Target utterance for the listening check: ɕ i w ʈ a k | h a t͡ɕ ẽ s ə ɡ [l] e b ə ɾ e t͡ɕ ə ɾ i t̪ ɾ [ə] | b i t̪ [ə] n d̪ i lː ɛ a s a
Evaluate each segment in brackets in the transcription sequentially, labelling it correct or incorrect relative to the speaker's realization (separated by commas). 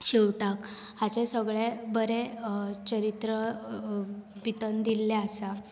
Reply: incorrect, correct, correct